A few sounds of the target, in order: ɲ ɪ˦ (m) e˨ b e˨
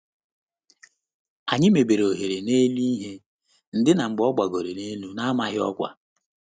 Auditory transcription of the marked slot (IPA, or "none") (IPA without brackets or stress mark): m